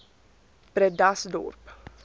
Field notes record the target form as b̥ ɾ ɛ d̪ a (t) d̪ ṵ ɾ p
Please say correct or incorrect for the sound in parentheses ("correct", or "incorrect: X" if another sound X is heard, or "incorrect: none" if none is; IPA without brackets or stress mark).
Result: incorrect: s